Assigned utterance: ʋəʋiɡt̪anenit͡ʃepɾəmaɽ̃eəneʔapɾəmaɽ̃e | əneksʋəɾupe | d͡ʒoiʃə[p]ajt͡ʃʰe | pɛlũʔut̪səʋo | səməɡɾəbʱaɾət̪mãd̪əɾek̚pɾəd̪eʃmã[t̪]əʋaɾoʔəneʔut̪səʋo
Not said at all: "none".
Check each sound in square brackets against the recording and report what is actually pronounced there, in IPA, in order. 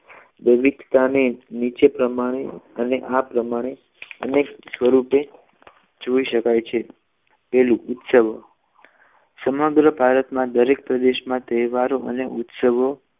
k, t̪

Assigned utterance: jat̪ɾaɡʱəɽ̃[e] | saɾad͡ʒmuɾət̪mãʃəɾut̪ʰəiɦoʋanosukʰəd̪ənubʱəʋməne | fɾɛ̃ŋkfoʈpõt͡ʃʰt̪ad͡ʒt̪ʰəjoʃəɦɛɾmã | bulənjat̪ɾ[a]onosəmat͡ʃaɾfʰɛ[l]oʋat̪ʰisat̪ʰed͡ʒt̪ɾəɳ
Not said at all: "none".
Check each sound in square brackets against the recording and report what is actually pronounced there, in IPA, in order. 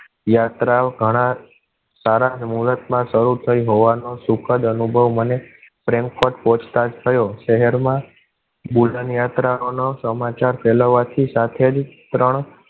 a, a, l

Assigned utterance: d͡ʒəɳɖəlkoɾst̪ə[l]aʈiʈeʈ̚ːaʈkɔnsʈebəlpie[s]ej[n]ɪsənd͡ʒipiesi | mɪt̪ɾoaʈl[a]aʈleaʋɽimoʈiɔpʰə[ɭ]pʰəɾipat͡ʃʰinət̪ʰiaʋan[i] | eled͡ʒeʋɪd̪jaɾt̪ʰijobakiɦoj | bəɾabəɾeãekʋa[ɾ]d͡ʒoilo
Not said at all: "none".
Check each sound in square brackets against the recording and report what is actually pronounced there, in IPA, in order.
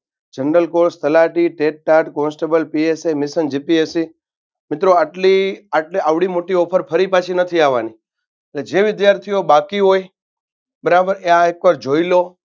l, s, m, i, ɾ, i, ɾ

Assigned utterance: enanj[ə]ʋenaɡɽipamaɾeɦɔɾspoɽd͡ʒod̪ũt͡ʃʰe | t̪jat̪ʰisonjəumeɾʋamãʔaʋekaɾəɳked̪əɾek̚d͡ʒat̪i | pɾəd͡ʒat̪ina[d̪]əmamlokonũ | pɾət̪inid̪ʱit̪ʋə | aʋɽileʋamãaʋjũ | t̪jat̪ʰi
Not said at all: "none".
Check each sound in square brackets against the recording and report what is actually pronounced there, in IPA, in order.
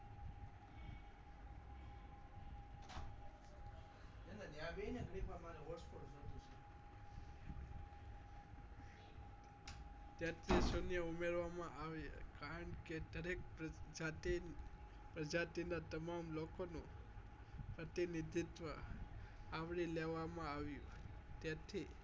a, t̪

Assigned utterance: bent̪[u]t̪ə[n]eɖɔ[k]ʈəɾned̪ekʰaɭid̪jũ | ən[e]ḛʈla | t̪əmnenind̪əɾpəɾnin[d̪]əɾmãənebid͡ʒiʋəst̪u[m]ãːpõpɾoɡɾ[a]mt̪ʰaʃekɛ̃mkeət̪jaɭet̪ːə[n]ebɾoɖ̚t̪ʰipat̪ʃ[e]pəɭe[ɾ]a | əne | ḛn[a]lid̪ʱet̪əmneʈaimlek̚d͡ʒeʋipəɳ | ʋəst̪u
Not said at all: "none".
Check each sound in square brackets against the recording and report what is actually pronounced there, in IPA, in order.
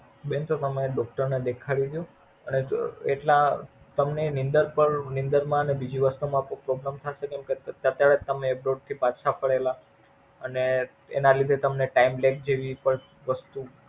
o, m, k, e, d̪, m, a, m, a, l, a

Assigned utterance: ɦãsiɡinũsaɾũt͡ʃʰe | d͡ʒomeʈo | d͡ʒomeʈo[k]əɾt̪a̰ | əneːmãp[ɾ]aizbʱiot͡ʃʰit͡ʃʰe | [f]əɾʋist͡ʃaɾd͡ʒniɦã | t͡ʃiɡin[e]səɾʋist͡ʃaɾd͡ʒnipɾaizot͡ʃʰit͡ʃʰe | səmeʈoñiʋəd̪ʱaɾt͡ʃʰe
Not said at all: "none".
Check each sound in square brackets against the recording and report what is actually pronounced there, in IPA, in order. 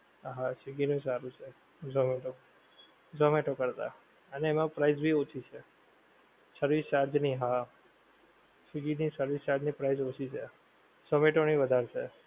k, ɾ, s, i

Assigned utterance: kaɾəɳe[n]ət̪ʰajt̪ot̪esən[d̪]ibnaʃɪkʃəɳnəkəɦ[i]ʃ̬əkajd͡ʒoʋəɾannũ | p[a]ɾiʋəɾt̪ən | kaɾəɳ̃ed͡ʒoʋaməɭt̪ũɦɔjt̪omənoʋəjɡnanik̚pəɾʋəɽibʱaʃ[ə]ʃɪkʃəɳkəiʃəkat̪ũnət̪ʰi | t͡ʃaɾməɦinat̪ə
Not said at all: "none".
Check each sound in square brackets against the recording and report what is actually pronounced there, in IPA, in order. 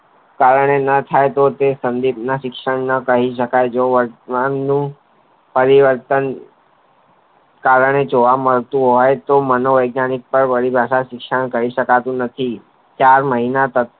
n, d̪, i, ə, a

